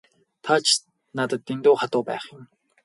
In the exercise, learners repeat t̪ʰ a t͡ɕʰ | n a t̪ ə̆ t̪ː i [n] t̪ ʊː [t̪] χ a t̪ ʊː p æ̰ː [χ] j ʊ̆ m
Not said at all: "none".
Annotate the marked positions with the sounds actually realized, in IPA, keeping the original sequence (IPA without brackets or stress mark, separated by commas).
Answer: n, none, χ